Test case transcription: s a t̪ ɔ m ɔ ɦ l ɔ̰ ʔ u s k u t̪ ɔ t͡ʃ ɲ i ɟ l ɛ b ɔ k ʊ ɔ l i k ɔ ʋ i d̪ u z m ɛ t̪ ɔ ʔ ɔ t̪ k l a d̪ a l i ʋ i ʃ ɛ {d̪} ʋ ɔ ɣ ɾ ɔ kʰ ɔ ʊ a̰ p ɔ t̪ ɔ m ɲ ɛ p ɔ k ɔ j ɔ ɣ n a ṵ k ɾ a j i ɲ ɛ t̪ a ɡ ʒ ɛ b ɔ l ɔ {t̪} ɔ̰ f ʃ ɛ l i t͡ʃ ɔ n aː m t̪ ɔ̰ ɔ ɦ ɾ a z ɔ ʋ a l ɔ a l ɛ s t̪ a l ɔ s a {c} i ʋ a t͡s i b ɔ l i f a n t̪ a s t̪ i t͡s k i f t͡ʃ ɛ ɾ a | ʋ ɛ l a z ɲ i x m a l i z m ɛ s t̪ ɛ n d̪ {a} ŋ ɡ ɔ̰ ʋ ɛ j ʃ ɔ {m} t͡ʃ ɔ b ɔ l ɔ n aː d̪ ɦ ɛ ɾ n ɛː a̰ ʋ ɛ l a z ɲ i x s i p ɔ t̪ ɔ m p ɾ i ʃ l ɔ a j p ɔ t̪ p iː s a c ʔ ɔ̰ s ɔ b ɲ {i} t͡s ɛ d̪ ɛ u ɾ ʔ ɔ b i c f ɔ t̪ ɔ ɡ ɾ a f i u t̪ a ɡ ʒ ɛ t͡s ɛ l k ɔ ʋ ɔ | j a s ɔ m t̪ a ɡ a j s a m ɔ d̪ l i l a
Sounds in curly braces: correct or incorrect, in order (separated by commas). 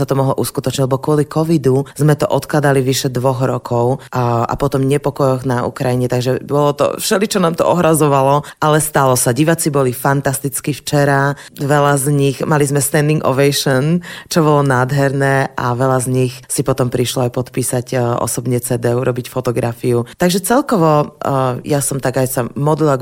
correct, correct, incorrect, incorrect, incorrect, incorrect